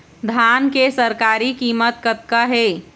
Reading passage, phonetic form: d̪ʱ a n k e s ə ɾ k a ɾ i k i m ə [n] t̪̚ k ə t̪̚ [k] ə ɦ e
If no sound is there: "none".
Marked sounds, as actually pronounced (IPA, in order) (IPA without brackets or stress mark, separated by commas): none, k